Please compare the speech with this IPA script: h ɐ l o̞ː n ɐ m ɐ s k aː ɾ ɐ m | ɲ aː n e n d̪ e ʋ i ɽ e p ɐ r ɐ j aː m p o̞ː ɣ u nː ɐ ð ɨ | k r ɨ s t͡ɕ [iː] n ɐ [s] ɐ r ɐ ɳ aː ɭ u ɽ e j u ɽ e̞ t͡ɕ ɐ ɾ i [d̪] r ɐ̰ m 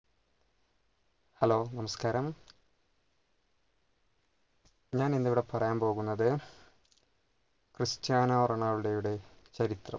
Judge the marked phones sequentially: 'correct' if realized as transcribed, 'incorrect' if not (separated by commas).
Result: incorrect, incorrect, incorrect